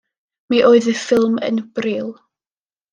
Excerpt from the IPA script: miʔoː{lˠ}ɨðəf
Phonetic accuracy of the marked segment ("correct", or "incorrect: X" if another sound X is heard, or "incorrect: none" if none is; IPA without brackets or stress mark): incorrect: none